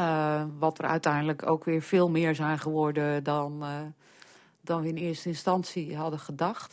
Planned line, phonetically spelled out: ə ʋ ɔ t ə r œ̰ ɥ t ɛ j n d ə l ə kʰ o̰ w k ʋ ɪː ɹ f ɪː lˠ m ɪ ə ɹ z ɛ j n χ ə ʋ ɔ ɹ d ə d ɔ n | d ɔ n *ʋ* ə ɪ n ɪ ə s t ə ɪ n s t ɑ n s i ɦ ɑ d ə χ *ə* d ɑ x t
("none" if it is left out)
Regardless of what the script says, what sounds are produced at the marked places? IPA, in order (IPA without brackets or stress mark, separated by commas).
ʋ, ə